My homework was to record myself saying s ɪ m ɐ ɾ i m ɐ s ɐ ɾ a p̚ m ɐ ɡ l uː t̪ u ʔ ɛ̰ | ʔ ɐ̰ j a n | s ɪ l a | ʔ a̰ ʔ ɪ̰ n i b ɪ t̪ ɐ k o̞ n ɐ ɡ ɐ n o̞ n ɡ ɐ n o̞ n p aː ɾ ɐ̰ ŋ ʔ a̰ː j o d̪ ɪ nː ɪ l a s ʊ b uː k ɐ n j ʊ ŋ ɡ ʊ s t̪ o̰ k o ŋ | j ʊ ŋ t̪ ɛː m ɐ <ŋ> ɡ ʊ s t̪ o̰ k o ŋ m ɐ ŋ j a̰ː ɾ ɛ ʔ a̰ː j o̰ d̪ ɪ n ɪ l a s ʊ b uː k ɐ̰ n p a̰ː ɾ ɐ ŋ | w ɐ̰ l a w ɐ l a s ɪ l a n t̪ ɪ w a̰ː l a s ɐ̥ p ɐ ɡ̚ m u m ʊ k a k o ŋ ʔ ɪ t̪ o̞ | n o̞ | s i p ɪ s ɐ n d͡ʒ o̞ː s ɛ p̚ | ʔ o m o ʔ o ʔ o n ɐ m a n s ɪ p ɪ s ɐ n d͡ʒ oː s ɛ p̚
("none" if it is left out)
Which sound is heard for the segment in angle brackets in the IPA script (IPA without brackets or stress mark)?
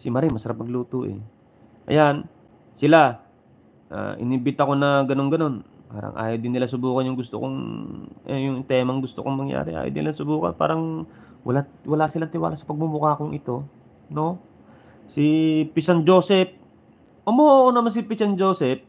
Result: ŋ